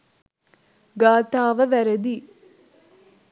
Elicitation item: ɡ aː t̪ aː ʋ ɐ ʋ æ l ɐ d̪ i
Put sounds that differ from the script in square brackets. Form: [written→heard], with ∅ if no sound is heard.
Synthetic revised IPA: ɡ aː t̪ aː ʋ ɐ ʋ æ [l→ɾ] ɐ d̪ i